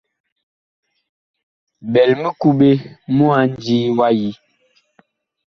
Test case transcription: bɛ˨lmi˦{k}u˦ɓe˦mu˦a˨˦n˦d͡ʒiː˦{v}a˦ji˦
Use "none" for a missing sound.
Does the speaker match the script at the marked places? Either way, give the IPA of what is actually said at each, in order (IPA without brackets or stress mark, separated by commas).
k, w